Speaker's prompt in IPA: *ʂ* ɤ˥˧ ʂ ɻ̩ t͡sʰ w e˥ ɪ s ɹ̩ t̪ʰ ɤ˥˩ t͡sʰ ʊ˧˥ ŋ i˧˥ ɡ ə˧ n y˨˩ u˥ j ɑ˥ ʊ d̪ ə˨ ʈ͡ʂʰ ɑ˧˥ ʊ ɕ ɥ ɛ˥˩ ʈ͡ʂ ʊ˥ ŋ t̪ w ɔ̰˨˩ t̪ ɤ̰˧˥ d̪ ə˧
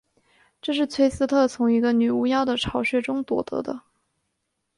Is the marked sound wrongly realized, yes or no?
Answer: yes